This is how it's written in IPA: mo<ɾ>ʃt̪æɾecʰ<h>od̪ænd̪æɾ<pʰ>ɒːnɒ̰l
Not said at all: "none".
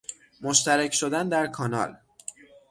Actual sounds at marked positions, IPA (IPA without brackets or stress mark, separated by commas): none, ʃ, kʰ